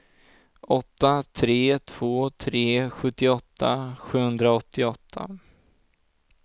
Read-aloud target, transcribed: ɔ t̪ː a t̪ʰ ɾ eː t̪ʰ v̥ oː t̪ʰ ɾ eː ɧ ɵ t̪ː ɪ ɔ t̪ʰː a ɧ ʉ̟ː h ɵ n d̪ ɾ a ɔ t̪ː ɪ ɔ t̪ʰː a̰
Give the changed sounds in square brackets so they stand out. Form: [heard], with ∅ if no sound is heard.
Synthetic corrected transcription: ɔ t̪ː a t̪ʰ ɾ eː t̪ʰ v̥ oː t̪ʰ ɾ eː ɧ ɵ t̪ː ɪ ɔ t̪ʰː a ɧ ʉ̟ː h ɵ n d̪ ɾ a ɔ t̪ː ɪ ɔ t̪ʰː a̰